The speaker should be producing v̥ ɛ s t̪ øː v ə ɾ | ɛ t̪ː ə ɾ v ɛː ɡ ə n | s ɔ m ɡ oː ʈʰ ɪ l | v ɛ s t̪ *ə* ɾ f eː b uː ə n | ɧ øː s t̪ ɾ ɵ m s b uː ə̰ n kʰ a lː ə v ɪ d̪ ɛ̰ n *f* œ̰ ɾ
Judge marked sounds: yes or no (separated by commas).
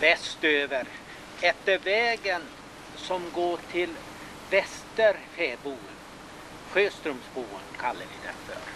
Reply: yes, yes